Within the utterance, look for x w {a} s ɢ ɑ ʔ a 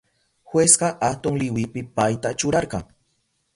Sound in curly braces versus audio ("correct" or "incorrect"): incorrect